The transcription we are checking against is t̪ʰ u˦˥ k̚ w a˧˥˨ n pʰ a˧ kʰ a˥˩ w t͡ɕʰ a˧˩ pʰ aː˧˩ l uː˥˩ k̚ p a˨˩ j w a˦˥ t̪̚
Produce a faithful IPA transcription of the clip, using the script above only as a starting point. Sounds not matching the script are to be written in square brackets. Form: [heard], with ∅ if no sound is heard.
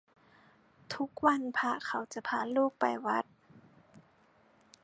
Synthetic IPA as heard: t̪ʰ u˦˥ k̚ w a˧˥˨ n pʰ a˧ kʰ [a˨˩] w [t͡ɕ] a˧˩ pʰ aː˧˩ l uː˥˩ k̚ p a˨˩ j w a˦˥ t̪̚